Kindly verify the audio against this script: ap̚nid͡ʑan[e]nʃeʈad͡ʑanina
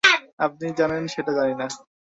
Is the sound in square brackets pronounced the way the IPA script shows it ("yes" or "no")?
yes